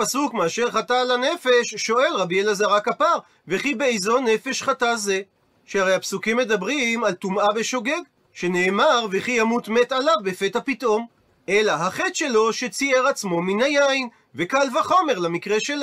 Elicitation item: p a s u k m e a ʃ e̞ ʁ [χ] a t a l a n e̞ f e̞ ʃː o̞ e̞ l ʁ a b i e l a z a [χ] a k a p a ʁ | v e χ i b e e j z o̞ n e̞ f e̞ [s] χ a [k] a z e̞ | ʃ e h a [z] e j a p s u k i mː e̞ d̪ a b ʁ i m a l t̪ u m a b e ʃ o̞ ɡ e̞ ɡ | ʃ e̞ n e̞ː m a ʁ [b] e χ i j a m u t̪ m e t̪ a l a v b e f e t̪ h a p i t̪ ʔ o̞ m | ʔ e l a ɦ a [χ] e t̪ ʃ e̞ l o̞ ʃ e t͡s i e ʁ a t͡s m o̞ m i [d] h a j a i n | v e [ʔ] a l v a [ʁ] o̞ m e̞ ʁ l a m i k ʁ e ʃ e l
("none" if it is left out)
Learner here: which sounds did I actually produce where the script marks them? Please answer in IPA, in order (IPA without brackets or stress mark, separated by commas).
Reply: χ, ʁ, ʃ, t, ʁ, v, χ, n, k, χ